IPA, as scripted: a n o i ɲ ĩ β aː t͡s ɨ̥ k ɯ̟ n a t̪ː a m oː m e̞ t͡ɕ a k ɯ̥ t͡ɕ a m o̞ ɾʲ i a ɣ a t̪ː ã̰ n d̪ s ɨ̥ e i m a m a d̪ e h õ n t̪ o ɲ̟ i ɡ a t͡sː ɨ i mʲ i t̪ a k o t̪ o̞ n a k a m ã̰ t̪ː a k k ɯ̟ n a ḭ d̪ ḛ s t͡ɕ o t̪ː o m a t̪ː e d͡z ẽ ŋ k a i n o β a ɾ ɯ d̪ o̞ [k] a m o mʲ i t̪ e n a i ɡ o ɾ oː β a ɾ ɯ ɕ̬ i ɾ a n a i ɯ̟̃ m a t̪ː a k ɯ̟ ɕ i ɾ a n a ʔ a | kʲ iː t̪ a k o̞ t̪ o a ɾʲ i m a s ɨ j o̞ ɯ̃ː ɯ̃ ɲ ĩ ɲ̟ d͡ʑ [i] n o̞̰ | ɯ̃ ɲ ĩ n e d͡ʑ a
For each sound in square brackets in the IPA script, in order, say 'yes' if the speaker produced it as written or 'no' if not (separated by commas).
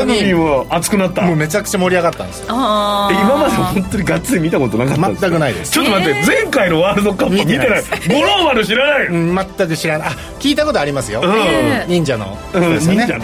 yes, no